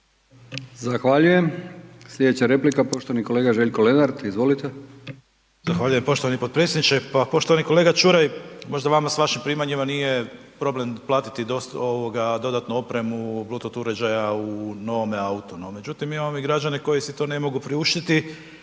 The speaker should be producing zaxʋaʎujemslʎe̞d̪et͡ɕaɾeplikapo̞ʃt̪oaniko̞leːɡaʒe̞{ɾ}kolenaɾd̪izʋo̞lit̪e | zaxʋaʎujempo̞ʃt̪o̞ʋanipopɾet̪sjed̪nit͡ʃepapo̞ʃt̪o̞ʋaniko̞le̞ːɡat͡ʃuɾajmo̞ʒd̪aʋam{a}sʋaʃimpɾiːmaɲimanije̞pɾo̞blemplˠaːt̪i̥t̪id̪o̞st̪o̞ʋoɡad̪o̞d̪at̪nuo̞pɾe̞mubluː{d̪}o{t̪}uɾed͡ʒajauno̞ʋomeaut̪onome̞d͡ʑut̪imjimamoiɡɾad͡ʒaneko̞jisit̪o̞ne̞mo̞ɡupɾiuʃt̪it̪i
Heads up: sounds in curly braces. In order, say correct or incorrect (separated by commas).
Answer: incorrect, correct, incorrect, correct